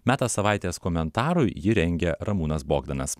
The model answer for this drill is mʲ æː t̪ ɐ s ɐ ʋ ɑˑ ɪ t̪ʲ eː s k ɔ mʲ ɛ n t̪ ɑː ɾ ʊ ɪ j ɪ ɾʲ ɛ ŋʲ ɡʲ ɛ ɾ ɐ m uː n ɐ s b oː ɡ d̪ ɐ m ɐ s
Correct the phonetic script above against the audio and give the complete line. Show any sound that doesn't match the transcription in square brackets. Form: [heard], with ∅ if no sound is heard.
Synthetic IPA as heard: mʲ æː t̪ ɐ s ɐ ʋ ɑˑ ɪ t̪ʲ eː s k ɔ mʲ ɛ n t̪ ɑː ɾ ʊ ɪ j ɪ ɾʲ ɛ ŋʲ ɡʲ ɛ ɾ ɐ m uː n ɐ s b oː ɡ d̪ ɐ [n] ɐ s